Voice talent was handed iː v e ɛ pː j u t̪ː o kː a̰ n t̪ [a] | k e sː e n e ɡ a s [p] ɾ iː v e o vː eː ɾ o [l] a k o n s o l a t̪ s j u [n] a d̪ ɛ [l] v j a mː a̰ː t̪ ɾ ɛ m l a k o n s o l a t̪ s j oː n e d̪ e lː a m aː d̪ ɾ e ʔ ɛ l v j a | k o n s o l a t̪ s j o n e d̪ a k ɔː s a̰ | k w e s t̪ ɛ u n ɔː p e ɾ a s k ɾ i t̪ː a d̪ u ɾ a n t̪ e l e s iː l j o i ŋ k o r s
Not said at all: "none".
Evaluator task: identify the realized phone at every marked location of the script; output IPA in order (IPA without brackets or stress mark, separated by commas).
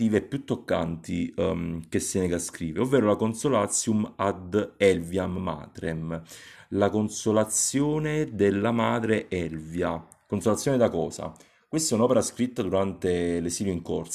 i, k, l, m, l